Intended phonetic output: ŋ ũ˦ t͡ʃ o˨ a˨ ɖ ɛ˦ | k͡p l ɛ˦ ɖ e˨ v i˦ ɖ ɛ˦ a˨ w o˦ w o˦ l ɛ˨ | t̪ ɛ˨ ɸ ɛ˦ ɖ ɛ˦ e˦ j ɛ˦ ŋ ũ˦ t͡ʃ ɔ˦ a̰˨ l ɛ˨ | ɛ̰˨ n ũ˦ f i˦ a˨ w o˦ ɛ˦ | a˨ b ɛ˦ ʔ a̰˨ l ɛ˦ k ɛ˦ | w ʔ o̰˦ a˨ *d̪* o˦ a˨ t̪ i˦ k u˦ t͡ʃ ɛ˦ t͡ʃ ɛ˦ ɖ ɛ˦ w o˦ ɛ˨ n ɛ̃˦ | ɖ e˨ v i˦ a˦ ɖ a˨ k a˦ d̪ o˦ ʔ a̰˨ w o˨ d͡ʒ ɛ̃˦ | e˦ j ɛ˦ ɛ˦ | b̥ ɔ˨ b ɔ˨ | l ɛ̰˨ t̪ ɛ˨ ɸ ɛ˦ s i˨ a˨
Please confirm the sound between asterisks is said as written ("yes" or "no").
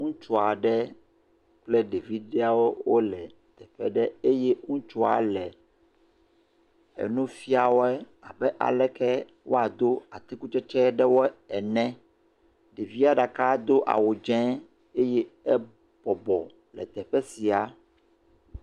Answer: yes